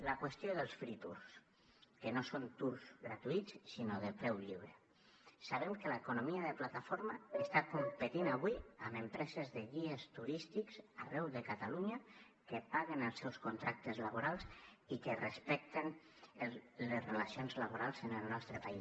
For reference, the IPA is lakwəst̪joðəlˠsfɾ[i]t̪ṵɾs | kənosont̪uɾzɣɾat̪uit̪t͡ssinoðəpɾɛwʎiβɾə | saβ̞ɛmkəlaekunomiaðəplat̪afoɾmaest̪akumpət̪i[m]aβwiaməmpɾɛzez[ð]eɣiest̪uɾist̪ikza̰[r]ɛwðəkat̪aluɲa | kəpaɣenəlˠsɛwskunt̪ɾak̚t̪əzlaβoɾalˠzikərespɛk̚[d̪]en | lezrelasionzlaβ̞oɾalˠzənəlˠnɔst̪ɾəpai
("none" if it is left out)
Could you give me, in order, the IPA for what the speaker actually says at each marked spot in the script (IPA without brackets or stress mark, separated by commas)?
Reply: i, n, ð, r, t̪